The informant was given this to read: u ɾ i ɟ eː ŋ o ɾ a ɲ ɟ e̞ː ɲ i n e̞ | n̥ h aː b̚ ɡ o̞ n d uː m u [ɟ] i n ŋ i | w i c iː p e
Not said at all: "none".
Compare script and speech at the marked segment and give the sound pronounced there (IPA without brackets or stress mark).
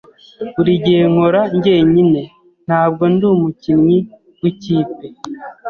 c